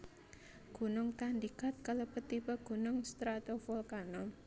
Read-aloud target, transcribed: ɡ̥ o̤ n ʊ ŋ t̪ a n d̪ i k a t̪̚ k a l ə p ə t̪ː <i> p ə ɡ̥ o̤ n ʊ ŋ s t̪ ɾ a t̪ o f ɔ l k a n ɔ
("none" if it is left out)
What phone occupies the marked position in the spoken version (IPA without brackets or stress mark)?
i